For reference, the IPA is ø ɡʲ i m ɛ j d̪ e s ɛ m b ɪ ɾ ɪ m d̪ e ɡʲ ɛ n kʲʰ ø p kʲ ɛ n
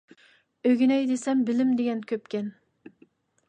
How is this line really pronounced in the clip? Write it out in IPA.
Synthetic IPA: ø ɡʲ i n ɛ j d̪ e s ɛ m b ɪ l ɪ m d̪ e ɡʲ ɛ n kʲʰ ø p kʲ ɛ n